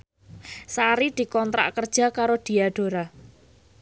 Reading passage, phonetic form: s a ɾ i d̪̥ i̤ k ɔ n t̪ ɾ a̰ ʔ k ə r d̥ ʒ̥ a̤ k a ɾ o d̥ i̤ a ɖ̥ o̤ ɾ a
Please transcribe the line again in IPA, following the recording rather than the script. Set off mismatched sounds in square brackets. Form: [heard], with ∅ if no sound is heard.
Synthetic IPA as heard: s a ɾ i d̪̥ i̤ k ɔ n t̪ ɾ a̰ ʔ k ə r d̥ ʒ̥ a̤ k a ɾ o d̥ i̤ a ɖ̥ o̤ ɾ a